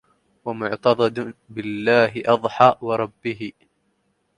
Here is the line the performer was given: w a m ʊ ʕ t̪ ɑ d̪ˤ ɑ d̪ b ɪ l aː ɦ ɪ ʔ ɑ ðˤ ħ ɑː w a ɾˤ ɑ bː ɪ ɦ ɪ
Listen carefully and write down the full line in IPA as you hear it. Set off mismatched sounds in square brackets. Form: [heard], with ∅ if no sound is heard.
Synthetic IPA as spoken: w a m ʊ ʕ t̪ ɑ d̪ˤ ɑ d̪ b ɪ [lː] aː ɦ ɪ ʔ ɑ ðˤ ħ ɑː w [ɑ] ɾˤ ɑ bː ɪ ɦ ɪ